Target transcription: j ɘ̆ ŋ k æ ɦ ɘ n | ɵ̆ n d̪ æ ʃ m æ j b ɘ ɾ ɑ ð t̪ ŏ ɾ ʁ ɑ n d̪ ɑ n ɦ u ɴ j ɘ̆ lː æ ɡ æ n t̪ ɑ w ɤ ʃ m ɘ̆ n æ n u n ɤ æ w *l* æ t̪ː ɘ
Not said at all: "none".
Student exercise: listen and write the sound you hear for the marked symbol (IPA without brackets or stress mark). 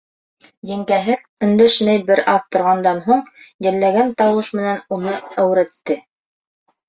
ɾ